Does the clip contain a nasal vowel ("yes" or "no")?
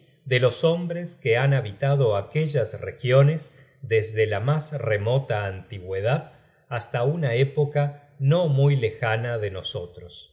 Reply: no